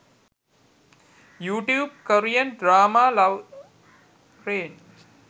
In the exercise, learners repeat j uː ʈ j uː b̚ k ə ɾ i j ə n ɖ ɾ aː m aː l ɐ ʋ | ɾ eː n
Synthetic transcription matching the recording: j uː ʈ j uː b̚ k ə ɾ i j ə n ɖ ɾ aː m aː l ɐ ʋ | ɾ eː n